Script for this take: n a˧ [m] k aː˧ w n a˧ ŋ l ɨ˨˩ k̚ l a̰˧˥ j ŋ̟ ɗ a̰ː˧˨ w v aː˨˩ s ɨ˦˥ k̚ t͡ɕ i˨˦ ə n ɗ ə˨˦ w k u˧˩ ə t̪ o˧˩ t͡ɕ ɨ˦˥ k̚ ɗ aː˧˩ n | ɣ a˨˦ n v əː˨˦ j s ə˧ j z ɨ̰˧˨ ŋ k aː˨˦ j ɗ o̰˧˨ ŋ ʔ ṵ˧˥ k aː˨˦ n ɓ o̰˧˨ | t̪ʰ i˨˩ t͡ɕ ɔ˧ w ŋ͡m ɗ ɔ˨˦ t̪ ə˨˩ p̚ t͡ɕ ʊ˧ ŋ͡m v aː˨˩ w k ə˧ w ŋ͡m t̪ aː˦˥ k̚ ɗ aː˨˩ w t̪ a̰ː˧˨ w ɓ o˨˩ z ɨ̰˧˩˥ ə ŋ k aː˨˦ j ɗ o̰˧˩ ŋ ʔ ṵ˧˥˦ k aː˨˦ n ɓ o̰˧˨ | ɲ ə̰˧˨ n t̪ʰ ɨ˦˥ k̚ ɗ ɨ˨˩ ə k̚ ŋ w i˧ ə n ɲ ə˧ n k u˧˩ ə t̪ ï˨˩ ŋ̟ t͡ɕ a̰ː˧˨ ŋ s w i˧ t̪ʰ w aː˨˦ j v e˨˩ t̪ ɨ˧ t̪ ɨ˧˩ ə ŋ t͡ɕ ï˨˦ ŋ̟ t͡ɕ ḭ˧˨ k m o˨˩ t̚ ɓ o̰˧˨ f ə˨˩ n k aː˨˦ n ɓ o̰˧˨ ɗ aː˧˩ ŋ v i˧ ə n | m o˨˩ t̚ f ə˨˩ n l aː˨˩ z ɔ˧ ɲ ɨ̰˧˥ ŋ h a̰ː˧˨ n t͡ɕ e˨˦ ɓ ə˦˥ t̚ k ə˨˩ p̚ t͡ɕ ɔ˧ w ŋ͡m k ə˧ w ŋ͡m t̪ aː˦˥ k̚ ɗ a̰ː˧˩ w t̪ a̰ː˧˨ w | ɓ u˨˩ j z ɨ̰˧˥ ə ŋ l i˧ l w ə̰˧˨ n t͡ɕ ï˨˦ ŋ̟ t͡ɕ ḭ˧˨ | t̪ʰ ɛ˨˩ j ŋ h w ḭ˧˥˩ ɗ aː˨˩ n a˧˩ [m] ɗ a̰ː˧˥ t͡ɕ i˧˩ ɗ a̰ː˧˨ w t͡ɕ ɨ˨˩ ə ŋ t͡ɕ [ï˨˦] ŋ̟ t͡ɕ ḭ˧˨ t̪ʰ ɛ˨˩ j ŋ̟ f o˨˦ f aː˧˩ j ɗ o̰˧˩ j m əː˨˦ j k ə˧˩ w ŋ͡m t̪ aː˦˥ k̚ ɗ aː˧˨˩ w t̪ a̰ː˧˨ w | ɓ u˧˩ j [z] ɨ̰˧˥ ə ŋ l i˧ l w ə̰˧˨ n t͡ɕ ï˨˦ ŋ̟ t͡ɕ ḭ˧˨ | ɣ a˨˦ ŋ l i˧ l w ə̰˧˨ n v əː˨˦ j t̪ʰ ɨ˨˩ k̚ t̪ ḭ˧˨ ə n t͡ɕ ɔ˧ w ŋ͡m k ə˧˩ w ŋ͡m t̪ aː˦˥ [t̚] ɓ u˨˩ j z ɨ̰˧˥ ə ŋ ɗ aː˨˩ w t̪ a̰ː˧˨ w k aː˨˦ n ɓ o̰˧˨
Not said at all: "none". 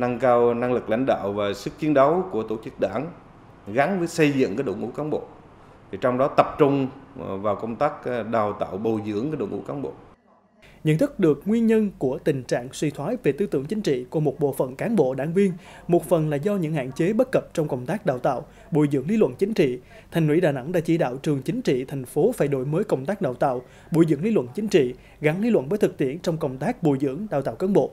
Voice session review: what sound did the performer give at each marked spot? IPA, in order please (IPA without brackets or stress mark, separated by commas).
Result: ŋ, ŋ, ï˨˦, z, k̚